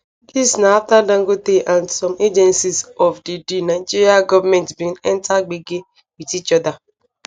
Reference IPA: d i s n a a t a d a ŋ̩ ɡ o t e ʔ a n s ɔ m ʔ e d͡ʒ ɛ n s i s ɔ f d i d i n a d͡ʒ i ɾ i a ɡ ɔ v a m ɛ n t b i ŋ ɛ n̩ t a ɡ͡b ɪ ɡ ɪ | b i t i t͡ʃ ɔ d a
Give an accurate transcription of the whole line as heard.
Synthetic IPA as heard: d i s n a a t a d a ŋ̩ ɡ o t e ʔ a n s ɔ m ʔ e d͡ʒ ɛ n s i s ɔ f d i d i n a d͡ʒ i ɾ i a ɡ ɔ v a m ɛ n t b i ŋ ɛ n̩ t a ɡ͡b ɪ ɡ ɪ | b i t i t͡ʃ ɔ d a